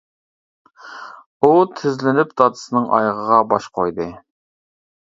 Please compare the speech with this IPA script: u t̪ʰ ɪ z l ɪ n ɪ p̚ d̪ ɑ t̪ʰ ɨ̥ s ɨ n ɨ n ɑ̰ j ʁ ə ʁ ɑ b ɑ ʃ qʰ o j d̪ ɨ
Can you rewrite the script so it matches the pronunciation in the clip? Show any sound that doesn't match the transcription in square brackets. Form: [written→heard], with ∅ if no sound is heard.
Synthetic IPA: u t̪ʰ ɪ z l ɪ n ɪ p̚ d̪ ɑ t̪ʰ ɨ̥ s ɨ n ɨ [n→ŋ] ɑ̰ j ʁ ə ʁ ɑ b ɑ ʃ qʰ o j d̪ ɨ

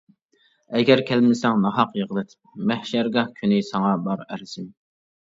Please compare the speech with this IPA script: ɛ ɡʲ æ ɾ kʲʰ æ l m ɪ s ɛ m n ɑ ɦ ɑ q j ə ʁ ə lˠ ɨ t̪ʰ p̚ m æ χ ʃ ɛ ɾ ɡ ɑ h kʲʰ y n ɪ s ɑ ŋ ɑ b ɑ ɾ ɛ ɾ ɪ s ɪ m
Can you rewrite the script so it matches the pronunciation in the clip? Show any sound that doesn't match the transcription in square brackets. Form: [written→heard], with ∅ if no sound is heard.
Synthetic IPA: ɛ ɡʲ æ ɾ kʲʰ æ l m ɪ s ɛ [m→ŋ] n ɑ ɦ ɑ q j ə ʁ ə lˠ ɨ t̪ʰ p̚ m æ [χ→h] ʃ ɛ ɾ ɡ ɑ h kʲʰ y n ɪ s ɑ ŋ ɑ b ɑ ɾ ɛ ɾ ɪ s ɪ m

